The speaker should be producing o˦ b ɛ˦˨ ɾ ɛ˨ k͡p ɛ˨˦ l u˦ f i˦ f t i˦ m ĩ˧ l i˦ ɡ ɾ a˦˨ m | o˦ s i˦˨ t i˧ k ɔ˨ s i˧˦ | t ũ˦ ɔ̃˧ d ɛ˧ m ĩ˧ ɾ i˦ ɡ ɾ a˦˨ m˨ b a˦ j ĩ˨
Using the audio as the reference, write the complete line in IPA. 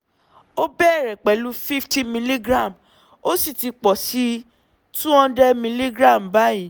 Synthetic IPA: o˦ b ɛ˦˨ ɾ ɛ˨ k͡p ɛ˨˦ l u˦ f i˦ f t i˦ m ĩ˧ l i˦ ɡ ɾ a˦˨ m | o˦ s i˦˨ t i˧ k͡p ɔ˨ s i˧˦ | t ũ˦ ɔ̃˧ d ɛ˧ m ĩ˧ l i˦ ɡ ɾ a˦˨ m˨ b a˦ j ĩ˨